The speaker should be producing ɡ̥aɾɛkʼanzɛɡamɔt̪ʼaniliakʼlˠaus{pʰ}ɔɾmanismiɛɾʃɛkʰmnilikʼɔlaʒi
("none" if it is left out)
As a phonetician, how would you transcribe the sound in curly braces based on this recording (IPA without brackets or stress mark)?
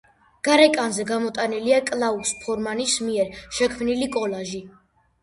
pʰ